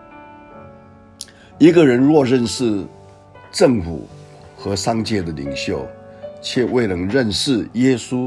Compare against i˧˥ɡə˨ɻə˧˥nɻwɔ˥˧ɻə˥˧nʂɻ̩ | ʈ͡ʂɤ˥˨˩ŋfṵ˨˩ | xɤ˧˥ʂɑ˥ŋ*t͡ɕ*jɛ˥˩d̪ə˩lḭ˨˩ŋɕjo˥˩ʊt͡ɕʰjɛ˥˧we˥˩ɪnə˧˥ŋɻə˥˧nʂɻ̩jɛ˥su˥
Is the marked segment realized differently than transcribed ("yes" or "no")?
no